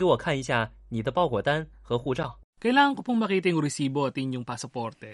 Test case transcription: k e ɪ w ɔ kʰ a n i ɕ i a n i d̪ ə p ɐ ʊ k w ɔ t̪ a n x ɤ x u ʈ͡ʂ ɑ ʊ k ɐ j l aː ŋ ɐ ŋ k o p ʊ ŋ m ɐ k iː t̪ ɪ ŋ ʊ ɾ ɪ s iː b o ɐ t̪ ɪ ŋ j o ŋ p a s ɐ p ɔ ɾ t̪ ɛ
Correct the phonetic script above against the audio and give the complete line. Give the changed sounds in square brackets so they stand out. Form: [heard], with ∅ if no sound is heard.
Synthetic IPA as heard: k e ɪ w ɔ kʰ a n i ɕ [j] a n i d̪ ə p [ɑ] ʊ k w ɔ t̪ a n x ɤ x u ʈ͡ʂ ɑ ʊ k ɐ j l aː ŋ ɐ ŋ k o p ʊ ŋ m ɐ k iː t̪ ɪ ŋ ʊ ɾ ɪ s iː b o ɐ t̪ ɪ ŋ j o ŋ p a s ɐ p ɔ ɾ t̪ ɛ